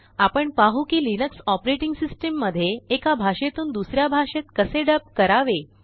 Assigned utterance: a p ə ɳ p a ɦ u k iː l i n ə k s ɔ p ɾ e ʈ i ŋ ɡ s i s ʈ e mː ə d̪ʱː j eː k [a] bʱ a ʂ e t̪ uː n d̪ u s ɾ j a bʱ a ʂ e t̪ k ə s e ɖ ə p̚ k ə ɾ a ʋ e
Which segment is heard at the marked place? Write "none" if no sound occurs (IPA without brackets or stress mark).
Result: a